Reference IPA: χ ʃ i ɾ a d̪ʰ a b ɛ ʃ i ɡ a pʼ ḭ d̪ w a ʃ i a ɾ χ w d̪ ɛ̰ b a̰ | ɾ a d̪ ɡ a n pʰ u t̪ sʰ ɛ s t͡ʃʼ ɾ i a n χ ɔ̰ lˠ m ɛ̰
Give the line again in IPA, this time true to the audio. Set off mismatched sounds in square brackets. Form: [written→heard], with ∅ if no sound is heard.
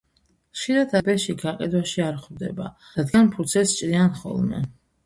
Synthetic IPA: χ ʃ i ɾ a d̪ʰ a b ɛ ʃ i ɡ a [pʼ→qʼ] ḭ d̪ w a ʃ i a ɾ χ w d̪ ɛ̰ b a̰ | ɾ a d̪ ɡ a n pʰ u t̪ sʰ ɛ s t͡ʃʼ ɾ i a n χ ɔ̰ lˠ m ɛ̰